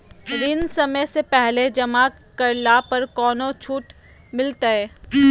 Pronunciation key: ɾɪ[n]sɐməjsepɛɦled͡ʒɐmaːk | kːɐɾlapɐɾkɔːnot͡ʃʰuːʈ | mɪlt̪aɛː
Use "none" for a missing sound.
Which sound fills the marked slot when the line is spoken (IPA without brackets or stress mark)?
n